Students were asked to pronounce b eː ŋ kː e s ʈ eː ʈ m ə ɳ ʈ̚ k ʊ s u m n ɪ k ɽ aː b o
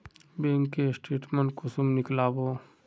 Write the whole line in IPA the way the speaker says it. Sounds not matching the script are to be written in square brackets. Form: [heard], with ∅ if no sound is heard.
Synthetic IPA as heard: b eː ŋ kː e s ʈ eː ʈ m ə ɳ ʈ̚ k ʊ s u m n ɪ k [l] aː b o